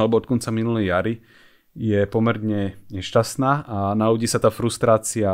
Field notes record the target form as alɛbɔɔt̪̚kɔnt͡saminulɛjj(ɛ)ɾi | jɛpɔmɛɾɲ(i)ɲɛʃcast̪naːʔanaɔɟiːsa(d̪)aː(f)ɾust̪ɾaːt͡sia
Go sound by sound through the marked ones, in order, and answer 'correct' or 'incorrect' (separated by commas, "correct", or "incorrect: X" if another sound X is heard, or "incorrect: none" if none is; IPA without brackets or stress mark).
incorrect: a, incorrect: ɛ, incorrect: t̪, correct